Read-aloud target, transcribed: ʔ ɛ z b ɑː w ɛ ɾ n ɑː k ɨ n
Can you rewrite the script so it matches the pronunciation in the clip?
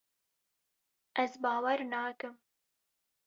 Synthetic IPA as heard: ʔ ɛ z b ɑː w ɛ ɾ n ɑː k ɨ m